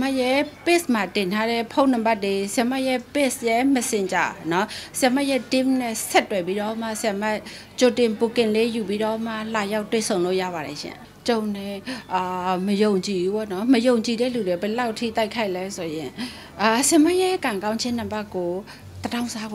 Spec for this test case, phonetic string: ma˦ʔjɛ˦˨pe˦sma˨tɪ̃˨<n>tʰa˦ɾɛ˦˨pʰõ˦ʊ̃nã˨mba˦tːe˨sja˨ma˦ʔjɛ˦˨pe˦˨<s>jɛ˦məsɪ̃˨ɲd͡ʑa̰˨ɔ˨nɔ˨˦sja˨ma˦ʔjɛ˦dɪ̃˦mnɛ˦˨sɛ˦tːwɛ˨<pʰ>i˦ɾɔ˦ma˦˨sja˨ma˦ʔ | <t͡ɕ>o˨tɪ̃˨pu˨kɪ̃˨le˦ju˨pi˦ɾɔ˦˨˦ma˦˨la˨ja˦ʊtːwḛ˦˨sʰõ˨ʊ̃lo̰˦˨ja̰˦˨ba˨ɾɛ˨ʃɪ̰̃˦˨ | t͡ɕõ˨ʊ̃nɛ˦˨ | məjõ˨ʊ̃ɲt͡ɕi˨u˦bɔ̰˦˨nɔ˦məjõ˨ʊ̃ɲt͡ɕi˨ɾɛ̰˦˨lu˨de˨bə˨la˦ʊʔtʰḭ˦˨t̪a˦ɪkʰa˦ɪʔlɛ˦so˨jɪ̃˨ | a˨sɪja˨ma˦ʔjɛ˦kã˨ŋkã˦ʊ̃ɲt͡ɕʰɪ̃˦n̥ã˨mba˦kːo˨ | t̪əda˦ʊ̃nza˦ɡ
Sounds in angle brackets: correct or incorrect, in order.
correct, correct, incorrect: p, correct

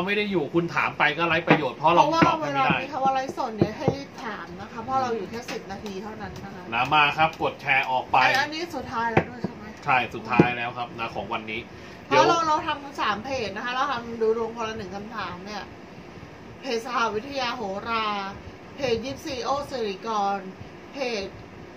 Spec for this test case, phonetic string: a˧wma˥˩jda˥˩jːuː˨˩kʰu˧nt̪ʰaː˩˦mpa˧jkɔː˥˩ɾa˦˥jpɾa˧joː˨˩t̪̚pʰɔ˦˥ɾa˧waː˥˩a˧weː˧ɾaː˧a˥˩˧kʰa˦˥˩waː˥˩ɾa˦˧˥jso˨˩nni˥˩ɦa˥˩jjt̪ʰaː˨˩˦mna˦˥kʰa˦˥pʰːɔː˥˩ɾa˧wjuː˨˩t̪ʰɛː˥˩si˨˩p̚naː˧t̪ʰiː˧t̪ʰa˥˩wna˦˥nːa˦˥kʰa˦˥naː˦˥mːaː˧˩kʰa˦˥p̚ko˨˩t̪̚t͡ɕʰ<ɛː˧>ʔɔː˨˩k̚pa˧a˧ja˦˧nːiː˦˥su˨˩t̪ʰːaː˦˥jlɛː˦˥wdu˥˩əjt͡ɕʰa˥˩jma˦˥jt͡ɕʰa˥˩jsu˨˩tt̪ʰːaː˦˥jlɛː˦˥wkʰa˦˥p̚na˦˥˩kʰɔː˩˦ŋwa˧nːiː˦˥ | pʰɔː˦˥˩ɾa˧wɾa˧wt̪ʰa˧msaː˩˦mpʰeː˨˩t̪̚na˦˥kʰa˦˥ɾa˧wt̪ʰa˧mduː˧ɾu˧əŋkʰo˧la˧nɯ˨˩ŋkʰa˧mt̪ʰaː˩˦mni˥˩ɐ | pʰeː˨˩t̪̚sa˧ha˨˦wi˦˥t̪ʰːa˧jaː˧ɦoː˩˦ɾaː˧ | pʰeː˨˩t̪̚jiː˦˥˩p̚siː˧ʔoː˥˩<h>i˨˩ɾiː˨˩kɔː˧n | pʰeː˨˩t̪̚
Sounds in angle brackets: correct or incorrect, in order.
correct, incorrect: s

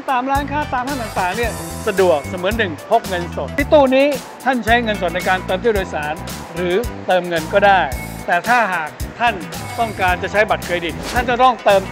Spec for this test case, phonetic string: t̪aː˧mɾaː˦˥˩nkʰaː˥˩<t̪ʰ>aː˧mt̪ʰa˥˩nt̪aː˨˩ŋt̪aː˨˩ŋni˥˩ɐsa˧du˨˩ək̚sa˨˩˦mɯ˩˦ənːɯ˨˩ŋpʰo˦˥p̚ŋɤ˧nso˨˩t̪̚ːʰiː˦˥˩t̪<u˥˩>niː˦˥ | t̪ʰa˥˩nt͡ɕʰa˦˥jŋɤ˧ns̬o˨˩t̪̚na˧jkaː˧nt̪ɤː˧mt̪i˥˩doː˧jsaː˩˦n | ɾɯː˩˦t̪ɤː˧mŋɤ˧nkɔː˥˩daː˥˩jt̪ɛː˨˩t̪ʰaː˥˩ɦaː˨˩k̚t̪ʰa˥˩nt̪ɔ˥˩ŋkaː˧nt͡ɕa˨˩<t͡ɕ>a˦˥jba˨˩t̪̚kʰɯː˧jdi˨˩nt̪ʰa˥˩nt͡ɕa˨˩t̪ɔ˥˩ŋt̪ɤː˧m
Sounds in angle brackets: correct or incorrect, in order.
incorrect: t̪, incorrect: uː˥˩, incorrect: t͡ɕʰ

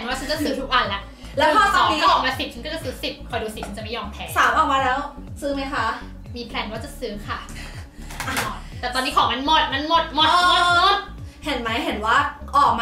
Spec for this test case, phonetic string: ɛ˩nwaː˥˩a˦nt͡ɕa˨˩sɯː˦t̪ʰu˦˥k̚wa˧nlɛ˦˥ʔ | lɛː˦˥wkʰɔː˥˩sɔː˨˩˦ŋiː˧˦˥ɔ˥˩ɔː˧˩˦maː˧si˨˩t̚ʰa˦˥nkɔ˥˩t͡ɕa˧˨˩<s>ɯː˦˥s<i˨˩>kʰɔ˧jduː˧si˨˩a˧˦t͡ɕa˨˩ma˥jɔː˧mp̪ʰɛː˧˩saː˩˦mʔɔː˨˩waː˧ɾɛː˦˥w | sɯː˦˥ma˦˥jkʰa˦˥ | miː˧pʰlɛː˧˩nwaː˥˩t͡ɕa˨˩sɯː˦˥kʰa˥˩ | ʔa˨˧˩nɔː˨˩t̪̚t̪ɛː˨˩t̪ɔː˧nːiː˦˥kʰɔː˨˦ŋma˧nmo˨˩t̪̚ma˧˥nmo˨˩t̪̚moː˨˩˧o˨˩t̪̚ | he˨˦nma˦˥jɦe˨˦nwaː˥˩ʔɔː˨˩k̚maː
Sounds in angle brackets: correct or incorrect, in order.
correct, correct

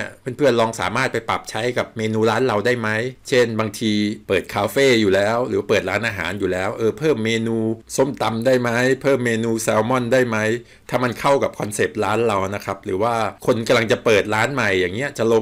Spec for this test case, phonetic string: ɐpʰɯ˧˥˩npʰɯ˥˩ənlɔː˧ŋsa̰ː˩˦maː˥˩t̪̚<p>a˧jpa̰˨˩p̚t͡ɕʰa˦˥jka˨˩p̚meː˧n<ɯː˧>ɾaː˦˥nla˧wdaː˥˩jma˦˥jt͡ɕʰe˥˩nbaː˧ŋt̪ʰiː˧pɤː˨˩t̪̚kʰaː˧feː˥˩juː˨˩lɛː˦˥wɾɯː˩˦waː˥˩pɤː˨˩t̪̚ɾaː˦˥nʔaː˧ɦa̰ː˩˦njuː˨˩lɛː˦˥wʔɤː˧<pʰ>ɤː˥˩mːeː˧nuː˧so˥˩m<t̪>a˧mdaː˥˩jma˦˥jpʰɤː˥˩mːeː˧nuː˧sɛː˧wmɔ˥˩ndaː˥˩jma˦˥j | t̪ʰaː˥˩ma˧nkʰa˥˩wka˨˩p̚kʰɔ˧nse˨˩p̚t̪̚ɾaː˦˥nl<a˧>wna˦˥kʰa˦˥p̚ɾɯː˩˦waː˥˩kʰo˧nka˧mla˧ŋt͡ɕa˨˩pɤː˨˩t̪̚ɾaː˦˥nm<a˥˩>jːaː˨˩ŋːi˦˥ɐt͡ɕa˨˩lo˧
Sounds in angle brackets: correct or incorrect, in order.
correct, incorrect: uː˧, correct, correct, correct, incorrect: a˨˩

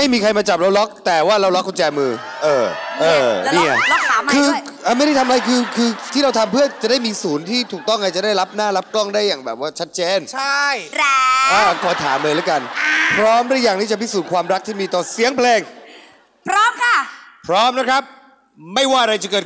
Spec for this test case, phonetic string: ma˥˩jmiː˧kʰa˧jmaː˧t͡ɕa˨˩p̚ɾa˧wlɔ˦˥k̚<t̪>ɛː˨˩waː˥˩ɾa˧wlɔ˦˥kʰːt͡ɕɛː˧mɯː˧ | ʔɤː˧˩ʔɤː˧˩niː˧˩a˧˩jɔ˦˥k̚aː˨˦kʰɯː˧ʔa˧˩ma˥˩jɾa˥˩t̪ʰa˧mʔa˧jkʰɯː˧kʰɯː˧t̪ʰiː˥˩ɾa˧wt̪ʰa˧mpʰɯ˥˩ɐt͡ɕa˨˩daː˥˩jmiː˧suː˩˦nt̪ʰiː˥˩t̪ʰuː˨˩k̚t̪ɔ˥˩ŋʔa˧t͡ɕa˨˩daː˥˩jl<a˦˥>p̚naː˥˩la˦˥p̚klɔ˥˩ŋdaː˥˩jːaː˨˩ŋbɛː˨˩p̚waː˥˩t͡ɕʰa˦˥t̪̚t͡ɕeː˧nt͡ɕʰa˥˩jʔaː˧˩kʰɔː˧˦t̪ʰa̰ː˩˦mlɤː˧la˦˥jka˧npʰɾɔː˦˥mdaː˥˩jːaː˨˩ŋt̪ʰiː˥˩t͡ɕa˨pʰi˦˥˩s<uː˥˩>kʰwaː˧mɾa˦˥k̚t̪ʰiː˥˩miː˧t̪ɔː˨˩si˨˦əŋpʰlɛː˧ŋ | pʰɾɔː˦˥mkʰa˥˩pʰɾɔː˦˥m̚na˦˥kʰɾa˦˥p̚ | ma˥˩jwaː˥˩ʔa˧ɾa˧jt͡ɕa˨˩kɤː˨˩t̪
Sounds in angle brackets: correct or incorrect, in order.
correct, correct, incorrect: uː˨˩

